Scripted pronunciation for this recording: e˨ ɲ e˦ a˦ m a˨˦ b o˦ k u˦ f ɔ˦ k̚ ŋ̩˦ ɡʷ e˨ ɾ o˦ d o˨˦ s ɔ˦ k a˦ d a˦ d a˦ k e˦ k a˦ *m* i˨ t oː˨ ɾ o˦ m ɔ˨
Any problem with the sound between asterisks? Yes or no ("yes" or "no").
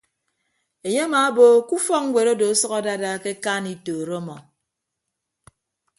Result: yes